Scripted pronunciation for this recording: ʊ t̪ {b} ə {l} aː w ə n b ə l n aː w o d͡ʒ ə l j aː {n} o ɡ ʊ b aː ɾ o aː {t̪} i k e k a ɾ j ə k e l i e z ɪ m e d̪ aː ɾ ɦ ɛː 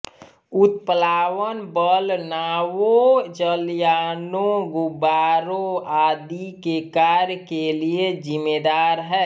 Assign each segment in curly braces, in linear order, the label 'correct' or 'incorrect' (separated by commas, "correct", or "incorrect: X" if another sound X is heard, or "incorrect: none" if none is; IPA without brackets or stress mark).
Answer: incorrect: p, correct, correct, incorrect: d̪